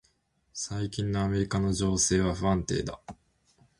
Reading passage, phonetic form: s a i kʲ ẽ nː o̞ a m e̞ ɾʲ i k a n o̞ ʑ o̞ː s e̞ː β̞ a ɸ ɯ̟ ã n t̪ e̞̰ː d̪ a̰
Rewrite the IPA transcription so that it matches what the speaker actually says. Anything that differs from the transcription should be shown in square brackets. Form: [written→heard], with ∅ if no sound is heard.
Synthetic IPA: s a i kʲ [ẽ→ĩ] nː o̞ a m e̞ ɾʲ i k a n o̞ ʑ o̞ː s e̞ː β̞ a ɸ ɯ̟ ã n t̪ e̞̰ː d̪ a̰